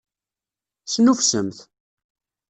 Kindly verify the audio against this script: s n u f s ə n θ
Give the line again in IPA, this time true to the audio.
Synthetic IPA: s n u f s ə m θ